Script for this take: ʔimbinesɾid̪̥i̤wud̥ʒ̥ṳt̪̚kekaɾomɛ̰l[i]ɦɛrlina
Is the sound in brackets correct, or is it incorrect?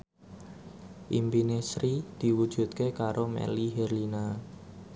correct